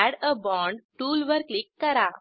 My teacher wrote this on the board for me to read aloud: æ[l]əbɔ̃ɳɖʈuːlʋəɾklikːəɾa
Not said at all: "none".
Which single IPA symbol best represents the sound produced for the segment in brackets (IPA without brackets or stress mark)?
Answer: ɽ